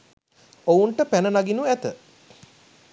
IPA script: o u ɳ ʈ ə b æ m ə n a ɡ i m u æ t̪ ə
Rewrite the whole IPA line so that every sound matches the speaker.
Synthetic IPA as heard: o u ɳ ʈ ə p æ n ə n a ɡ i n u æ t̪ ə